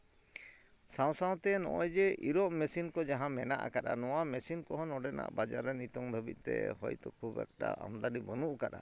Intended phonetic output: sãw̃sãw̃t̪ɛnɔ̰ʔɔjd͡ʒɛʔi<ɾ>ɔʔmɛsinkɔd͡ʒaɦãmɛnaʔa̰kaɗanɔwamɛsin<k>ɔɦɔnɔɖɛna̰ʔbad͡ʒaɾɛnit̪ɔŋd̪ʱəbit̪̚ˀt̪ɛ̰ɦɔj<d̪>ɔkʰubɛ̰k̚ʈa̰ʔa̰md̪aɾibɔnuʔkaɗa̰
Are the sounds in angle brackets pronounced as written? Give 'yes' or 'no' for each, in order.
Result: yes, yes, no

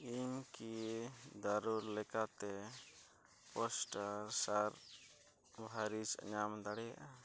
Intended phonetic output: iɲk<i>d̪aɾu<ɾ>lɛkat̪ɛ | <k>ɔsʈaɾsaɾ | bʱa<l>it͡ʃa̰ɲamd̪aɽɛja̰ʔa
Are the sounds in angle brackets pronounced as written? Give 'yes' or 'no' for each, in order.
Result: yes, yes, no, no

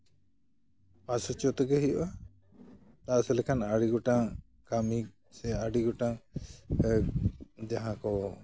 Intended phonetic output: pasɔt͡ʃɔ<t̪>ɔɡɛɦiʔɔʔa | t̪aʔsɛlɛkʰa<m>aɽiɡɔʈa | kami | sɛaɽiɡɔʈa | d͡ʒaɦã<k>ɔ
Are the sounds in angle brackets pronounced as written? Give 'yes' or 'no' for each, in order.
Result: yes, no, yes

